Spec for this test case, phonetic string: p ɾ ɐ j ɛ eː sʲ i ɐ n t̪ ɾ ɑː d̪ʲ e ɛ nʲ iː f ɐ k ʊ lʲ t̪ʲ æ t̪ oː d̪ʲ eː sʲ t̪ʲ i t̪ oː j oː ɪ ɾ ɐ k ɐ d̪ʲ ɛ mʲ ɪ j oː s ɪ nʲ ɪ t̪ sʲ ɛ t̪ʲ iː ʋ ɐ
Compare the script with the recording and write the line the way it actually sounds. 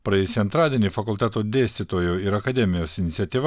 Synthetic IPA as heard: p ɾ ɐ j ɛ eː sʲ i ɐ n t̪ ɾ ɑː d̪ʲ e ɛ nʲ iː f ɐ k ʊ lʲ t̪ʲ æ t̪ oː d̪ʲ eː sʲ t̪ʲ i t̪ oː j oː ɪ ɾ ɐ k ɐ d̪ʲ ɛ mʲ ɪ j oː s ɪ nʲ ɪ t̪ sʲ ɛ t̪ʲ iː ʋ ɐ